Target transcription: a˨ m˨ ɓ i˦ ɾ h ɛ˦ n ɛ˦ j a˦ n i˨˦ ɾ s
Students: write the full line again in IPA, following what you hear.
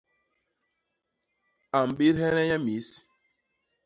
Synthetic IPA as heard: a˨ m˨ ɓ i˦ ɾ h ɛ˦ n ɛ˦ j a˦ m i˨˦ s